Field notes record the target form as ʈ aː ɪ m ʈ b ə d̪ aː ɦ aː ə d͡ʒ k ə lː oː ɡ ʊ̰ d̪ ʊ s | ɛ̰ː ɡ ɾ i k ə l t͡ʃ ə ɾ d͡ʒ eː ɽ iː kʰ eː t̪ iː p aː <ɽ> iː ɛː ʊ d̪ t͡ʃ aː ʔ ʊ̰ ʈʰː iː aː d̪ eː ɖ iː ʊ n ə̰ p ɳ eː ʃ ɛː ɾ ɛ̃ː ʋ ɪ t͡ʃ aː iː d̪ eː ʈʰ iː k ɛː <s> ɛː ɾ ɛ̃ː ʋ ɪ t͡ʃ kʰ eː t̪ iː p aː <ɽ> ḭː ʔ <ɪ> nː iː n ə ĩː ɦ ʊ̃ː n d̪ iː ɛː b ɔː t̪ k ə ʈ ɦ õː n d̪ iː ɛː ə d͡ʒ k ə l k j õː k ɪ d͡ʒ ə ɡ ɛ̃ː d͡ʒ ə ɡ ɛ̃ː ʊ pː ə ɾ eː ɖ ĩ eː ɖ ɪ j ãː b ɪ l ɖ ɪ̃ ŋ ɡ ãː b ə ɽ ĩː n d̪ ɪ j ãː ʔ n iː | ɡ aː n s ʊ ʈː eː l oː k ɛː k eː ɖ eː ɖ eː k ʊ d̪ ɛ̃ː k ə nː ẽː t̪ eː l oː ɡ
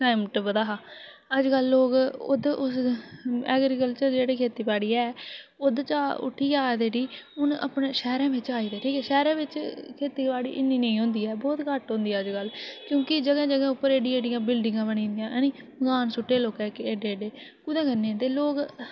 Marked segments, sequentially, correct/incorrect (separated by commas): correct, incorrect, correct, correct